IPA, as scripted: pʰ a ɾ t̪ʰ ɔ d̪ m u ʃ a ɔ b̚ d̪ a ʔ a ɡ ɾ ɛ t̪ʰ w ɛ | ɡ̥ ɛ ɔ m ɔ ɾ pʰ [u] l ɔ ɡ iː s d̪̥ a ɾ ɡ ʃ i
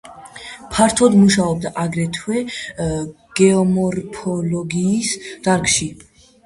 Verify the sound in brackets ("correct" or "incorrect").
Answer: incorrect